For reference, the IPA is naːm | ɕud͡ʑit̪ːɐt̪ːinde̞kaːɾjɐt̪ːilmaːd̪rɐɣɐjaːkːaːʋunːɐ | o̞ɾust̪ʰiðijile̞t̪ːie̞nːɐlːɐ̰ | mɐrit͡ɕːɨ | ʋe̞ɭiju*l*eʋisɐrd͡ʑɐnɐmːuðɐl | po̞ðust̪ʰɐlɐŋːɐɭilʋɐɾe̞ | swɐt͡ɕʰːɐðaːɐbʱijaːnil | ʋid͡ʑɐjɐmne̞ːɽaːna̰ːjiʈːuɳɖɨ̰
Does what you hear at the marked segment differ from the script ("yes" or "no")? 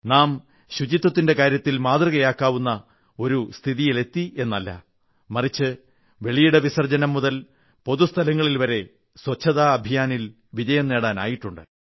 yes